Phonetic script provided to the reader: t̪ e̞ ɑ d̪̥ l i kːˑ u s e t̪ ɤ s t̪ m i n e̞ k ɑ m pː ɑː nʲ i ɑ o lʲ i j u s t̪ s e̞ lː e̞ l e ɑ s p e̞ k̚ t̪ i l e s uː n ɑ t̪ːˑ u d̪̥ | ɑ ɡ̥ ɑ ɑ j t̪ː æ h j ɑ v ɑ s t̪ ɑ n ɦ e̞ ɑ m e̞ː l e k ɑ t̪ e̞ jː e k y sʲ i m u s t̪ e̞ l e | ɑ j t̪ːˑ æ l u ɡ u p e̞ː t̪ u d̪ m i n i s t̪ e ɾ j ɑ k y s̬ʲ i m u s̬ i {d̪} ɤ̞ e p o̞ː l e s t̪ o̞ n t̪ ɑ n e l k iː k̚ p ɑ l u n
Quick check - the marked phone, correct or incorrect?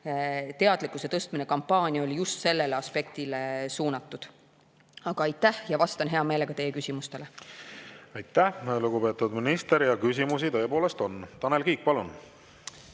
incorrect